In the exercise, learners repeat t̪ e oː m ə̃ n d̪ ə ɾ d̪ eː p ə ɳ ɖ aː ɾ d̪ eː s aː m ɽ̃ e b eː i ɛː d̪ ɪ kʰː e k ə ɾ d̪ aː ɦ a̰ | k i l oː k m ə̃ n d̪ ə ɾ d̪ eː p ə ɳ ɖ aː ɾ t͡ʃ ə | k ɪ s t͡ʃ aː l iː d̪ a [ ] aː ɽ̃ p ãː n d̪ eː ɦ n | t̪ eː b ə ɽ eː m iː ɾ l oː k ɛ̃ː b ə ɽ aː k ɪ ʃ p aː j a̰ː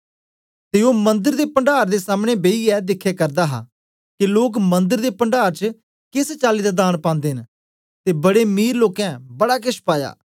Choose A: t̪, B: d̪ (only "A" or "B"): B